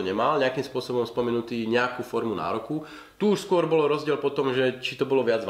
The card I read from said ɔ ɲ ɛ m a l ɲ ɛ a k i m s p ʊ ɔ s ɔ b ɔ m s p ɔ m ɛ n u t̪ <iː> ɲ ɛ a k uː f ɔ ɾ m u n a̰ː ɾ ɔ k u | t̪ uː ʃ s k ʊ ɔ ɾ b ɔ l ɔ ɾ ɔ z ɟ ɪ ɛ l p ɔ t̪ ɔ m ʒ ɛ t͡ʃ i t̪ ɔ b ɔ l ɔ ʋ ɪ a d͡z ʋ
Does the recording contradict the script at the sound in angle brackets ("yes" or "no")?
no